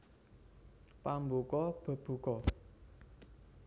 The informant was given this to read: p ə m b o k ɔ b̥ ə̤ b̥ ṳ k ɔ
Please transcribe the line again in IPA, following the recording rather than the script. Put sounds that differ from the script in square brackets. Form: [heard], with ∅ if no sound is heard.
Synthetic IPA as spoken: p [a] m b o k ɔ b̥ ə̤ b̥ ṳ k ɔ